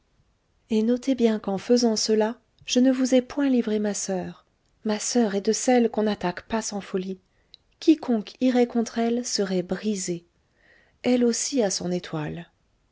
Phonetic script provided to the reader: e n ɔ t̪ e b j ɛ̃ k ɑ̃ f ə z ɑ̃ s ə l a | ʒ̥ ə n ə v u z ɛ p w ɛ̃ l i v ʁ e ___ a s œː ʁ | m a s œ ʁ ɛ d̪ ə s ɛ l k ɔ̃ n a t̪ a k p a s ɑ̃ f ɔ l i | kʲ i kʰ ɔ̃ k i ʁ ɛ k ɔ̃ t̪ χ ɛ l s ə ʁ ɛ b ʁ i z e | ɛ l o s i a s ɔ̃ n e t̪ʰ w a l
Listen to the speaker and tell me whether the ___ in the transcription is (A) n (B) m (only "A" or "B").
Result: B